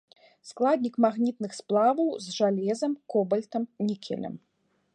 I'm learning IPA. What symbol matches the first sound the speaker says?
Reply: s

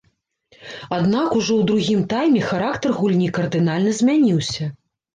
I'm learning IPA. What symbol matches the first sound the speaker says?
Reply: a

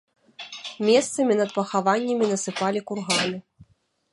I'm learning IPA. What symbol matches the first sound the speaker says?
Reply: mʲ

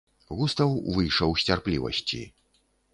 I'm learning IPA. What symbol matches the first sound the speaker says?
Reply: ɣ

